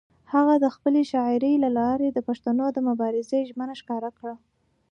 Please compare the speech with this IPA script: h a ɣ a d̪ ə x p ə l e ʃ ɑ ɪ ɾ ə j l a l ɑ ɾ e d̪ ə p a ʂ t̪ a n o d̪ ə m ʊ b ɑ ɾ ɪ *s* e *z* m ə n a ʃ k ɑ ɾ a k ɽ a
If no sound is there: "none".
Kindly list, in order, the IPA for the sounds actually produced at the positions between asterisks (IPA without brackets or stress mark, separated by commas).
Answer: z, ʒ